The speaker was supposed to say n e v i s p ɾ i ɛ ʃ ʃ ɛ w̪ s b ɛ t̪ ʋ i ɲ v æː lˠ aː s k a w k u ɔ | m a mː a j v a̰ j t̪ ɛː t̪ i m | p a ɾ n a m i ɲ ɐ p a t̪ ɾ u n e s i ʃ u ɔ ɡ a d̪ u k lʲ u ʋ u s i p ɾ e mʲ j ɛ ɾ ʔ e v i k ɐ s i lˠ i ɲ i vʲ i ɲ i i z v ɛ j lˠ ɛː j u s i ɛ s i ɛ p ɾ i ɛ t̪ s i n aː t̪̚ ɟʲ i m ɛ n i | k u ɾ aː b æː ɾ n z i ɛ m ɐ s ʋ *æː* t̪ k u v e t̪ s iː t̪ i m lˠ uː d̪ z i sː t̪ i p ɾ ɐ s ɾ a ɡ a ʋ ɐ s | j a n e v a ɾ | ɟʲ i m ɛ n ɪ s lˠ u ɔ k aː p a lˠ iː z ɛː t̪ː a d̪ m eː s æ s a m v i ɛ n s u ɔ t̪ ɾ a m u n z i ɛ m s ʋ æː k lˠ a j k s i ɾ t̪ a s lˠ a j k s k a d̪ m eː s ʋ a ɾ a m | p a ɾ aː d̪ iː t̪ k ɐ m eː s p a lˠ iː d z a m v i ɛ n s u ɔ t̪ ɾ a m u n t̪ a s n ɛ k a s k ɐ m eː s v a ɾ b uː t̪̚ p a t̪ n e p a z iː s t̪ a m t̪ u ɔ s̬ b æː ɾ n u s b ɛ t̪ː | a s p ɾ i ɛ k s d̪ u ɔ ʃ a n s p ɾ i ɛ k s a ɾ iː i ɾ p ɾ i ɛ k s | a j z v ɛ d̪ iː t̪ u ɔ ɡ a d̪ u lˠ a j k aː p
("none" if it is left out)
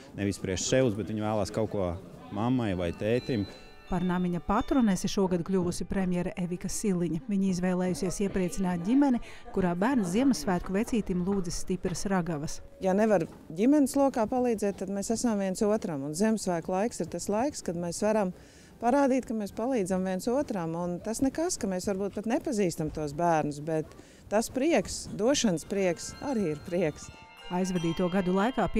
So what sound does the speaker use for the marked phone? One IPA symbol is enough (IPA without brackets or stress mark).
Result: æː